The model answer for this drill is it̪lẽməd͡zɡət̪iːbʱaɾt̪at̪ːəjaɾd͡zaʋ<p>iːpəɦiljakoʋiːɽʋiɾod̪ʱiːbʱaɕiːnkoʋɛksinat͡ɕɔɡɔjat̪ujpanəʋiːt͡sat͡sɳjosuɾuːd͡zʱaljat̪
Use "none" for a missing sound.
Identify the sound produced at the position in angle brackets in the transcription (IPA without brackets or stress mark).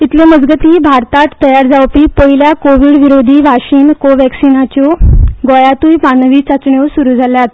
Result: p